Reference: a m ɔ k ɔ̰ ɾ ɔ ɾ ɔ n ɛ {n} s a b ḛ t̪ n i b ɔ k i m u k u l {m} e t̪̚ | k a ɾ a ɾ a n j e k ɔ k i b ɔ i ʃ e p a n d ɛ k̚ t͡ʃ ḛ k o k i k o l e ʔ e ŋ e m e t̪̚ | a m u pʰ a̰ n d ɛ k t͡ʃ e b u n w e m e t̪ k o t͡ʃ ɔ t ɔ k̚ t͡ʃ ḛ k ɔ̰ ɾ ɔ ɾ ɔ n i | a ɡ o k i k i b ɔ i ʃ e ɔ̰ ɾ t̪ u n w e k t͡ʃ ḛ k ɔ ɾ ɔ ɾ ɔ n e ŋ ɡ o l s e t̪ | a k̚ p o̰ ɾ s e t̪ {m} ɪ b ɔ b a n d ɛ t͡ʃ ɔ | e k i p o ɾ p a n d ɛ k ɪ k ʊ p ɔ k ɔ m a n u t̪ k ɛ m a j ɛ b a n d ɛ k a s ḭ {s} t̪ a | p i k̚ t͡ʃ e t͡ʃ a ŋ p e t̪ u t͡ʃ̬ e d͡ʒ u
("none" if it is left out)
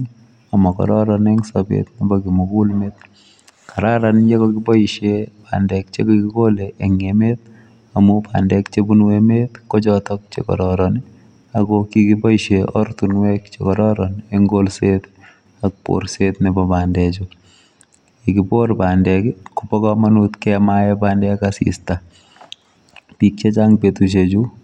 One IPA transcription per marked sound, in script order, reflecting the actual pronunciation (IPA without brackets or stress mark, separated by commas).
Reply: ŋ, m, n, s